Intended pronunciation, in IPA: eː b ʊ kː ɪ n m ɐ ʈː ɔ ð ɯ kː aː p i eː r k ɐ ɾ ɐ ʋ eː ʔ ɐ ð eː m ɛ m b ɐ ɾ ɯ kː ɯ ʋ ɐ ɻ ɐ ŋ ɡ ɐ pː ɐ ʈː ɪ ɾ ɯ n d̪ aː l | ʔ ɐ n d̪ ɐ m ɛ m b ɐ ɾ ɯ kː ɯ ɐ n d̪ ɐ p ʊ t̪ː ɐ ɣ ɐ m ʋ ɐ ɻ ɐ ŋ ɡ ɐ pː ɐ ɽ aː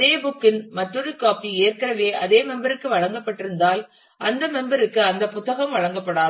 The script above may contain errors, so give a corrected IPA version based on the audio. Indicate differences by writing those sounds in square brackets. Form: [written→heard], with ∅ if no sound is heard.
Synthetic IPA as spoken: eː b ʊ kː ɪ n m ɐ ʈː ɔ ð ɯ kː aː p i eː r k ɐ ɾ ɐ ʋ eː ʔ ɐ ð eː m ɛ m b ɐ ɾ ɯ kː ɯ ʋ ɐ ɻ ɐ ŋ ɡ ɐ pː ɐ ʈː ɪ ɾ ɯ n d̪ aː l | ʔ ɐ n d̪ ɐ m ɛ m b ɐ ɾ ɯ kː ɯ ɐ n d̪ ɐ p ʊ t̪ː ɐ ɣ ɐ m ʋ ɐ ɻ ɐ ŋ ɡ ɐ pː ɐ ɽ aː